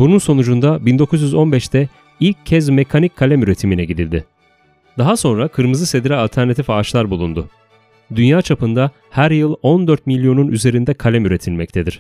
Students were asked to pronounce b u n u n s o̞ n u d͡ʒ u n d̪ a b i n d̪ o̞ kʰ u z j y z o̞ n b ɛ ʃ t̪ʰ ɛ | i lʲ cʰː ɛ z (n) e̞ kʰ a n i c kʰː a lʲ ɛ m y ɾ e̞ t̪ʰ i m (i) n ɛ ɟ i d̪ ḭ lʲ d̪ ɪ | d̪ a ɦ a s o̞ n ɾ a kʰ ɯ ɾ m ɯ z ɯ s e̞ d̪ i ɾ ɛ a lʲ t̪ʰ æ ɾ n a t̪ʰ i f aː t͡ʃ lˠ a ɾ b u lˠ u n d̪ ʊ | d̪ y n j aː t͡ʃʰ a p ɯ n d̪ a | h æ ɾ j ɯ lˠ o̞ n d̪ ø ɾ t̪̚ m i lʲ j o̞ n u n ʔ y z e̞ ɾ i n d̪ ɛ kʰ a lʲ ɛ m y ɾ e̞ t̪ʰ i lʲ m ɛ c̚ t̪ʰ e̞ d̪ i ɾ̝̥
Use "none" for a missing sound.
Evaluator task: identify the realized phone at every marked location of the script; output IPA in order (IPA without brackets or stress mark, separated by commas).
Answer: m, i